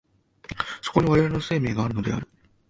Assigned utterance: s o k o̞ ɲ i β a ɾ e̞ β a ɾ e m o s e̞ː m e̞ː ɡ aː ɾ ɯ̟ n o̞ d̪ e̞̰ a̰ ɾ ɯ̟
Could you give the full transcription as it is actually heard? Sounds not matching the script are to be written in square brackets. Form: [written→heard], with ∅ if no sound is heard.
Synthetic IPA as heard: s o k o̞ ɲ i β a ɾ e̞ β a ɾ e [m→n] o s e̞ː m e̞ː ɡ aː ɾ ɯ̟ n o̞ d̪ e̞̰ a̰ ɾ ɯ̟